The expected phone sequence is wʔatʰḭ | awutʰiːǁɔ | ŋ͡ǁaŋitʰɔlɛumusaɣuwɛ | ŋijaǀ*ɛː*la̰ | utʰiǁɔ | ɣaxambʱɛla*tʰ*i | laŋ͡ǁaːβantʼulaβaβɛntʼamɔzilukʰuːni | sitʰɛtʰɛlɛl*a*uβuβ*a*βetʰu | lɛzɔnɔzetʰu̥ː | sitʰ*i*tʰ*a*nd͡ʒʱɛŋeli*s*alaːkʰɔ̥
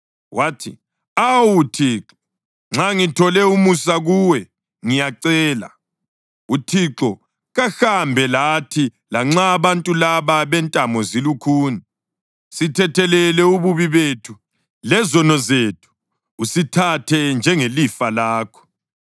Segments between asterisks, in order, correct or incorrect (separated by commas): correct, correct, incorrect, incorrect, incorrect, incorrect, incorrect